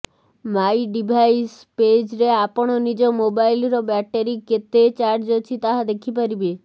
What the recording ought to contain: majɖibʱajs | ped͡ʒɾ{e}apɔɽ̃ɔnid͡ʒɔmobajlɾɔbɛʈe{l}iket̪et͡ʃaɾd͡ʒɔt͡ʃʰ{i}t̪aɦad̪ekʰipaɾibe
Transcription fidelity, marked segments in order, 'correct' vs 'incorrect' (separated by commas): correct, incorrect, correct